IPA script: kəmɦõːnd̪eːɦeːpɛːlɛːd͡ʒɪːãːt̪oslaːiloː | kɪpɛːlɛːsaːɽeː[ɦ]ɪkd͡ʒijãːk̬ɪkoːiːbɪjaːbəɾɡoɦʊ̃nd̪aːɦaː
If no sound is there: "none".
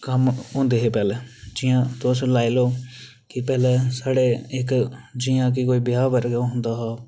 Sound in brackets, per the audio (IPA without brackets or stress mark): none